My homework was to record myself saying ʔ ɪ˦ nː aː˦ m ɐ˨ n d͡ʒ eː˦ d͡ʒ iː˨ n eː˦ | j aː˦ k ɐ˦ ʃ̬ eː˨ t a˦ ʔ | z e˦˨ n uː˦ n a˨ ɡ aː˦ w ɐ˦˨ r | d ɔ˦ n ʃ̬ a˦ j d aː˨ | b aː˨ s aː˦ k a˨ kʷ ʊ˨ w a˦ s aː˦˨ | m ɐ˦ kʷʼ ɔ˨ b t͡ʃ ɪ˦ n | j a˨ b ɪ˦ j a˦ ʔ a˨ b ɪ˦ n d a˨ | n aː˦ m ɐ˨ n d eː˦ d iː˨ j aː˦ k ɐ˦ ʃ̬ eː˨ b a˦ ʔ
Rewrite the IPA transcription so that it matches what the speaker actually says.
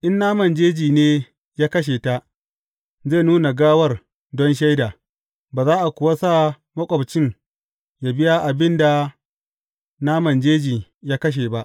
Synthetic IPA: ʔ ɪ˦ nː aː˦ m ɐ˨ n d͡ʒ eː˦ d͡ʒ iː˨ n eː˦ | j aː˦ k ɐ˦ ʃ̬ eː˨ t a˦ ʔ | z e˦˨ n uː˦ n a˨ ɡ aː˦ w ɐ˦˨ r | d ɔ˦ n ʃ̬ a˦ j d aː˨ | b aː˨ z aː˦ ʔ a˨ kʷ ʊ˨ w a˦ s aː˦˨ | m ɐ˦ kʷʼ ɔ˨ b t͡ʃ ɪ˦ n | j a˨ b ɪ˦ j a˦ ʔ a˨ b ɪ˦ n d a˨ | n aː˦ m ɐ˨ n d͡ʒ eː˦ d͡ʒ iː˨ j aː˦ k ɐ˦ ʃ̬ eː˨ b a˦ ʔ